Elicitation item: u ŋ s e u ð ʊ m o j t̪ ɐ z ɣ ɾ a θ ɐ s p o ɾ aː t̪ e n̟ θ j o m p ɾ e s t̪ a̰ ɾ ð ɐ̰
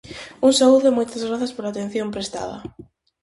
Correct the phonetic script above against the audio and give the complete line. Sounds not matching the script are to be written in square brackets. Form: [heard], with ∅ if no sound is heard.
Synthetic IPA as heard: u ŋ s [a] u ð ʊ m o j t̪ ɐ z ɣ ɾ a θ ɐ s p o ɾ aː t̪ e n̟ θ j o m p ɾ e s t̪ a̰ [∅] ð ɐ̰

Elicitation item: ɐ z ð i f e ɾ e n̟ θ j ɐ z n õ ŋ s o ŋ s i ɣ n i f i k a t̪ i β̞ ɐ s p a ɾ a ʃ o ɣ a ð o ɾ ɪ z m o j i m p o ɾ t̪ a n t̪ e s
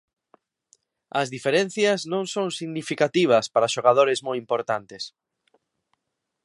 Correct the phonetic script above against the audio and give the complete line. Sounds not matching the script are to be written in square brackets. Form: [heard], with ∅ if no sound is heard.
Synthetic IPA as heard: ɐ z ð i f e ɾ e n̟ θ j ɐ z n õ ŋ s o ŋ s i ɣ n i f i k a t̪ i β̞ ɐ s p a ɾ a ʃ o ɣ a ð o ɾ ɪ z m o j i m p o ɾ t̪ a n t̪ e s

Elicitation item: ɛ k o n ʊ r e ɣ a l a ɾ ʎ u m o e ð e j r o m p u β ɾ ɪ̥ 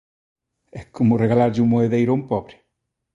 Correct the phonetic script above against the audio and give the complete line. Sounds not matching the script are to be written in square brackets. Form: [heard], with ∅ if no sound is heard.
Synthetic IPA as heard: ɛ k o [m] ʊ r e ɣ a l a ɾ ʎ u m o e ð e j [ɾ] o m p [ɔ] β ɾ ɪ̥

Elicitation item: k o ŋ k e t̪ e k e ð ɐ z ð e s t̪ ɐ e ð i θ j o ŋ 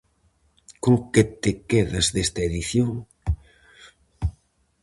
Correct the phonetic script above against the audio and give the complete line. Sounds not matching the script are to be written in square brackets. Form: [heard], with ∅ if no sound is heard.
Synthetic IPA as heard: k o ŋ k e t̪ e k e ð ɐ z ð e s t̪ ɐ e ð i θ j o ŋ

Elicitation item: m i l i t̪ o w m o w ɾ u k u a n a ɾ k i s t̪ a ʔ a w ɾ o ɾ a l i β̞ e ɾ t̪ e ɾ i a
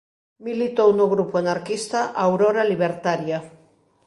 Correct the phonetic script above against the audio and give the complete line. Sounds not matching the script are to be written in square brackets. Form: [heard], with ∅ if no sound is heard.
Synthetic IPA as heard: m i l i t̪ o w [n] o [ɣ] ɾ u [p] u a n a ɾ k i s t̪ a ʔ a w ɾ o ɾ a l i β̞ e ɾ t̪ [a] ɾ [j] a

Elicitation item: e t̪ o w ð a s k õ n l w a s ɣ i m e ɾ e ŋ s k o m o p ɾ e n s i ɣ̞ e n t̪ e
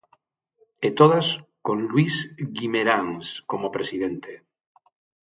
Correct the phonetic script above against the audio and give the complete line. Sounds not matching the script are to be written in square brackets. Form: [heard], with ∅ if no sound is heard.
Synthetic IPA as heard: e t̪ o [∅] ð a s k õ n l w [i] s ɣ i m e ɾ [a] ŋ s k o m o p ɾ e [∅] s i [ð̞] e n t̪ e

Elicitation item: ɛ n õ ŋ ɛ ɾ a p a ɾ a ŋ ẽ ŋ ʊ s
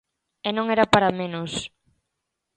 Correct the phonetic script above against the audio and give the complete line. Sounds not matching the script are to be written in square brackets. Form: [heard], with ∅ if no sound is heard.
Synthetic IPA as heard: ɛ n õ ŋ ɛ ɾ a p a ɾ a [m] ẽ [n] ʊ s

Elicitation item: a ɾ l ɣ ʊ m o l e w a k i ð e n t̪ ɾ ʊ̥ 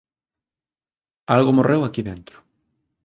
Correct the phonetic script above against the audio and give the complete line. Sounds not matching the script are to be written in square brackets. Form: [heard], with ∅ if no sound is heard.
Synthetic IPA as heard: a [∅] l ɣ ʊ m o [r] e w a k i ð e n t̪ ɾ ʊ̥

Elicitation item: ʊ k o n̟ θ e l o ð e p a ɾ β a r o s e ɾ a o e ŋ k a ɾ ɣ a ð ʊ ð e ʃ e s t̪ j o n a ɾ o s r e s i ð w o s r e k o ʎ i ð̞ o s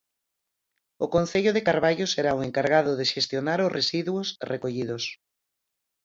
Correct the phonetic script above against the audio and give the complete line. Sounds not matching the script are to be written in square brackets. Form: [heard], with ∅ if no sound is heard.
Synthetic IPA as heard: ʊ k o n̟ θ e [ʎ] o ð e [k] a ɾ β a [ʎ] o s e ɾ a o e ŋ k a ɾ ɣ a ð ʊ ð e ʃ e s t̪ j o n a ɾ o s r e s i ð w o s r e k o ʎ i ð̞ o s

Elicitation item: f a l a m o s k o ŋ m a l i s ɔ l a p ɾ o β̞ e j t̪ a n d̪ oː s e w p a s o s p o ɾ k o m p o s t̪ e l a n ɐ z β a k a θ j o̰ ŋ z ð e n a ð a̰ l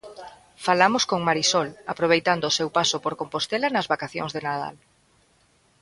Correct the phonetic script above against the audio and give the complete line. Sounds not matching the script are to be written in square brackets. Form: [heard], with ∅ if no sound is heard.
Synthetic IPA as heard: f a l a m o s k o ŋ m a [ɾ] i s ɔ l a p ɾ o β̞ e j t̪ a n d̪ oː s e w p a s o [∅] p o ɾ k o m p o s t̪ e l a n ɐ z β a k a θ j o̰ ŋ z ð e n a ð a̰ l

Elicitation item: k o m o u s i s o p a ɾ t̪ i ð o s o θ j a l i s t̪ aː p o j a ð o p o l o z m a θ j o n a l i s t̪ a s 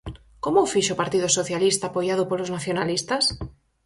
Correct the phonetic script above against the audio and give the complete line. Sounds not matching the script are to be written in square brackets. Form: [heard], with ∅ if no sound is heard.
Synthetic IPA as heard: k o m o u [f] i [ʃ] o p a ɾ t̪ i ð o s o θ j a l i s t̪ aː p o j a ð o p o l o z [n] a θ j o n a l i s t̪ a s

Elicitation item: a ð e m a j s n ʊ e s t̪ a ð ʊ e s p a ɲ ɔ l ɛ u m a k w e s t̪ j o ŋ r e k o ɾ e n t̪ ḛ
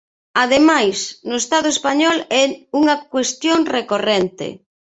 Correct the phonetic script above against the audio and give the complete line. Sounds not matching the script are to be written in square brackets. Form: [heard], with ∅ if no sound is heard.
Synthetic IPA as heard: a ð e m a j s n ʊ e s t̪ a ð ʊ e s p a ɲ ɔ l ɛ u [ŋ] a k w e s t̪ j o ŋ r e k o [r] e n t̪ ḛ

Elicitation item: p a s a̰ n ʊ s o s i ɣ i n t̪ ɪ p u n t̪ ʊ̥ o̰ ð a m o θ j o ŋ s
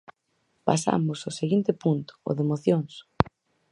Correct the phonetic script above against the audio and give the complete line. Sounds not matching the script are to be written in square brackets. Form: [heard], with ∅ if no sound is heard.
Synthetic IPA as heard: p a s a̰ [m] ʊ s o s [e] ɣ i n t̪ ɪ p u n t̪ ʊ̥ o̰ ð [e] m o θ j o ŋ s

